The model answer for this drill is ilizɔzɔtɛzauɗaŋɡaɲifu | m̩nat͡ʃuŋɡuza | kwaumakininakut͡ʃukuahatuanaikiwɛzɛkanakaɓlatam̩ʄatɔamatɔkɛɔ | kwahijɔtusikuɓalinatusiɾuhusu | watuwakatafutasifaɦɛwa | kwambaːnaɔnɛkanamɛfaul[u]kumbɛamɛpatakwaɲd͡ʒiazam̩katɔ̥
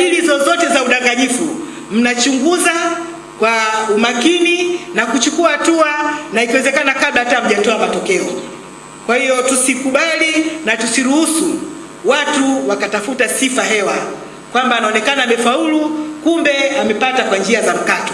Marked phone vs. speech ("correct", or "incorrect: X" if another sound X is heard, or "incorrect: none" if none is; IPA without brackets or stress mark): correct